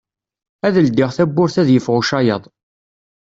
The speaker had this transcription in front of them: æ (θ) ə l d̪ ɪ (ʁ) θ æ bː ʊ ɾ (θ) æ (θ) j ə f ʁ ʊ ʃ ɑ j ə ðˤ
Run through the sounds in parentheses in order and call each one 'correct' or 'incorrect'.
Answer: incorrect, correct, correct, incorrect

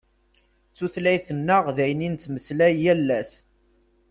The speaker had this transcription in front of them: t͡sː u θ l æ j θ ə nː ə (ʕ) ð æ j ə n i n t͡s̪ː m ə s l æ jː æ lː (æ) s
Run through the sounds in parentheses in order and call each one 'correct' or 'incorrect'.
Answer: incorrect, correct

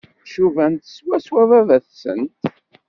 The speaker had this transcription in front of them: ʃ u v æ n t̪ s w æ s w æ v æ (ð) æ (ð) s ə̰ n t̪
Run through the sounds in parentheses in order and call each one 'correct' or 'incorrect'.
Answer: incorrect, incorrect

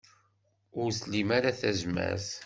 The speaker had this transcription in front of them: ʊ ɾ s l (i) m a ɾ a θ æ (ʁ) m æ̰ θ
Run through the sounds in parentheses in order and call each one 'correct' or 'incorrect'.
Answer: correct, incorrect

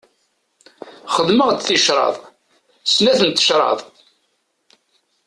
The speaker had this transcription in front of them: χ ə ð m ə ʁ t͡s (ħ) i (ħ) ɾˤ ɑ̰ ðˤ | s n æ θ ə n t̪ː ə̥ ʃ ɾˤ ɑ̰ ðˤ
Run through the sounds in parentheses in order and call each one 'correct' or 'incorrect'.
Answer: incorrect, incorrect

